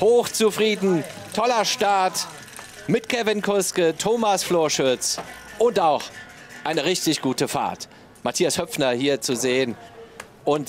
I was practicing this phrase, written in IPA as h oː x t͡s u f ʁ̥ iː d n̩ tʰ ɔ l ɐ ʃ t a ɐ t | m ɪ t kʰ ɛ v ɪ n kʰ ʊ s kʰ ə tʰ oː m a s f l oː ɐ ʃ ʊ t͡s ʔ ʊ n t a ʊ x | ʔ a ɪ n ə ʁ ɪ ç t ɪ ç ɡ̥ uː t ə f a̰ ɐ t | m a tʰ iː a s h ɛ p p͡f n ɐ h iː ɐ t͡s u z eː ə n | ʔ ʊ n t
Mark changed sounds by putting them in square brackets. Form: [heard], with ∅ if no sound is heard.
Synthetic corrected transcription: h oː x t͡s u f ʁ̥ iː d n̩ tʰ ɔ l ɐ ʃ t a ɐ t | m ɪ t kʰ ɛ v ɪ n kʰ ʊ s [k] ə tʰ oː m a s f l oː ɐ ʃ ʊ t͡s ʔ ʊ n t a ʊ x | ʔ a ɪ n ə ʁ ɪ ç t ɪ ç ɡ̥ uː t ə f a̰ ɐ t | m a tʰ iː a s h [œ] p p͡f n ɐ h iː ɐ t͡s u z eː ə n | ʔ ʊ n t